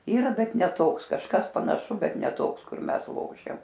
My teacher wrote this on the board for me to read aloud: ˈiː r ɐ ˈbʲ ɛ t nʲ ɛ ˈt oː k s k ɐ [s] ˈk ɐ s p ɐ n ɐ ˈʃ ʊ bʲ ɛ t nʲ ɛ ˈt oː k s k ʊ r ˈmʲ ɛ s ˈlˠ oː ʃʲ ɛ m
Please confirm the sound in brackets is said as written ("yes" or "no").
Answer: no